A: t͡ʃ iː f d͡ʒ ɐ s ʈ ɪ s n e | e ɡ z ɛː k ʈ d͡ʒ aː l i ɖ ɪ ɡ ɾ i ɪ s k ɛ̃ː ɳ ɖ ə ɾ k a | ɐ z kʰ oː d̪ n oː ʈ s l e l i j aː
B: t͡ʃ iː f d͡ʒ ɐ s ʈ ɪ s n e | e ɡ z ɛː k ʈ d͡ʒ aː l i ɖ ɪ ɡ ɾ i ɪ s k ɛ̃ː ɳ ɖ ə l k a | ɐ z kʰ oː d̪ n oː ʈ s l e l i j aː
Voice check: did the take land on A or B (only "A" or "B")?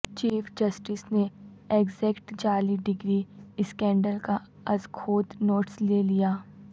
B